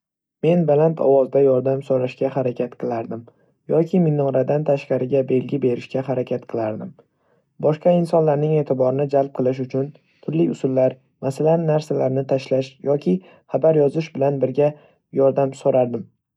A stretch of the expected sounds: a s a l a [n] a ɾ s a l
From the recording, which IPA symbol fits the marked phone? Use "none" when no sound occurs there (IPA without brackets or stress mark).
nː